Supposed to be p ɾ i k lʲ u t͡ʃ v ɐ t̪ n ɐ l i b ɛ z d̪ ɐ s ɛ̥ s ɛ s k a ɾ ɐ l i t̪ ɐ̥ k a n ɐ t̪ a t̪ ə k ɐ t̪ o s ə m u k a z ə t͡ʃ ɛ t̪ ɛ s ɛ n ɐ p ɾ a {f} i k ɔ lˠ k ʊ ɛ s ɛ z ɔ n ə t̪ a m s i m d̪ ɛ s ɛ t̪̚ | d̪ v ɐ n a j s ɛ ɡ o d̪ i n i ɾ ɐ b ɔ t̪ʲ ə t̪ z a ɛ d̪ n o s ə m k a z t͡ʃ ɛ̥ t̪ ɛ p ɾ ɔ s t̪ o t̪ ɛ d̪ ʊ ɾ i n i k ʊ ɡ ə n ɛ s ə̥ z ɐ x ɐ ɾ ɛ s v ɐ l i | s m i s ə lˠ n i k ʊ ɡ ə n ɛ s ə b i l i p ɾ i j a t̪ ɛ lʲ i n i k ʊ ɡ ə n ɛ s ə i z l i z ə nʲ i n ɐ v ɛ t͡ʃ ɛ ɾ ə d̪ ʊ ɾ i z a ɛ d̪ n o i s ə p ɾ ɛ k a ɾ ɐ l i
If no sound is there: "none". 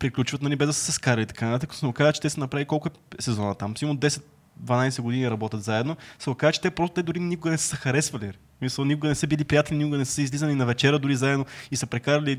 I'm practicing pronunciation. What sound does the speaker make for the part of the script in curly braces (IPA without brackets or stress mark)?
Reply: v